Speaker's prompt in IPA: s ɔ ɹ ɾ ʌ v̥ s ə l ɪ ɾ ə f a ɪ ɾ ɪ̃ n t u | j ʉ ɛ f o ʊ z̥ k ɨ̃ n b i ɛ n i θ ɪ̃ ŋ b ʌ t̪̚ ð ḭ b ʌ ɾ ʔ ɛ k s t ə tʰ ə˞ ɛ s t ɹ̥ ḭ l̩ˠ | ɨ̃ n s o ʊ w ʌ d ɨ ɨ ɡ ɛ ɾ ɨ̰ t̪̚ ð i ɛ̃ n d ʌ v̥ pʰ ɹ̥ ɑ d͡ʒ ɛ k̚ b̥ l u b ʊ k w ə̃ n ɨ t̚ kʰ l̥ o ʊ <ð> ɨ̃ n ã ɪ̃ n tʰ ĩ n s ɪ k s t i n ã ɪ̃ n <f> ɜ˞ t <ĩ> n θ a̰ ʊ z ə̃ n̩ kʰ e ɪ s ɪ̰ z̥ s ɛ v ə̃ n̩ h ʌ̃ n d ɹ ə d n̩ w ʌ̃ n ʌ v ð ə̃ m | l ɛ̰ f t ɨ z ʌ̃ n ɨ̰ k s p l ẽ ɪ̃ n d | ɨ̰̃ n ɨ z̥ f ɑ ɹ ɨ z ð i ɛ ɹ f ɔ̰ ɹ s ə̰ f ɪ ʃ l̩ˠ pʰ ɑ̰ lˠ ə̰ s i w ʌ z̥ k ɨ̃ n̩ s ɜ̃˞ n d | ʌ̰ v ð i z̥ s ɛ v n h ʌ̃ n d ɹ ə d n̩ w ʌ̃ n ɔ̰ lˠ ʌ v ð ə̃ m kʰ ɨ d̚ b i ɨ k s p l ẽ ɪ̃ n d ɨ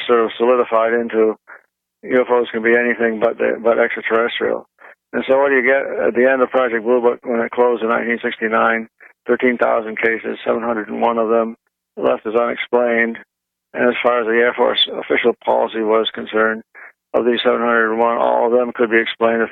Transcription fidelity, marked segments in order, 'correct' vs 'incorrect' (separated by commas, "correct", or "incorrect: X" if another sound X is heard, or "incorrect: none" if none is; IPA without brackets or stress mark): incorrect: z, incorrect: θ, correct